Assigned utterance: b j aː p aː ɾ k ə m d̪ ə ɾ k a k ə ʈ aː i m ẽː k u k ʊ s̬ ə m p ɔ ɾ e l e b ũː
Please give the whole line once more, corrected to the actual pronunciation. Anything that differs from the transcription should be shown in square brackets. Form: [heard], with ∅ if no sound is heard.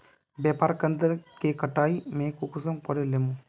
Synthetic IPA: b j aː p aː ɾ k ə [n] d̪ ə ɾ k [e] k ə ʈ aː i m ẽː k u k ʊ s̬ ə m p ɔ ɾ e l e [m] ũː